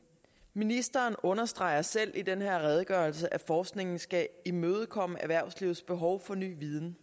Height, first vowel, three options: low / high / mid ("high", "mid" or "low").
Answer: high